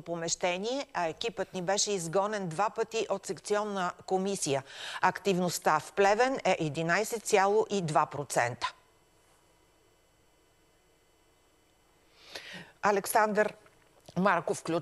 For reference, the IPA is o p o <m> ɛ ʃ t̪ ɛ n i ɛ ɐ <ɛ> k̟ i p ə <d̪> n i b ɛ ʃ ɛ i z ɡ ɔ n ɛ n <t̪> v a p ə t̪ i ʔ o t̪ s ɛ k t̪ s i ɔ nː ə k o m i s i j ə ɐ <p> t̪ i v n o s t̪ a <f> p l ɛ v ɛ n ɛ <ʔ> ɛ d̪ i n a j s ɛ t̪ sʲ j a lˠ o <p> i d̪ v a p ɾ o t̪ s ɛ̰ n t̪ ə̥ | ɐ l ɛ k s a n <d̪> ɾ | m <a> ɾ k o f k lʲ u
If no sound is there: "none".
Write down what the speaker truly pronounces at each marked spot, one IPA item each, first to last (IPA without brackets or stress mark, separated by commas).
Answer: m, ɛ, t̪, d̪, k, f, ʔ, ʔ, d̪, a